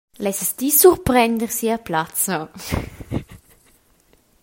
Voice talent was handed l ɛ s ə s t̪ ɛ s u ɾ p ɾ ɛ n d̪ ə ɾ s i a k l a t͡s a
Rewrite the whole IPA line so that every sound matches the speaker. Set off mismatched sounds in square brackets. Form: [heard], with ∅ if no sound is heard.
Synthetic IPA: l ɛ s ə s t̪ [i] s u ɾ p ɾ ɛ n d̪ ə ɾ s i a [p] l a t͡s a